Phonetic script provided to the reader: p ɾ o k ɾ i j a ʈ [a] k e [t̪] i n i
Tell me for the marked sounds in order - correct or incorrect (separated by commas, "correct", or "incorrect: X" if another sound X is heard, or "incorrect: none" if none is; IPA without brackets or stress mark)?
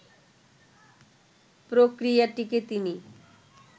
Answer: incorrect: i, correct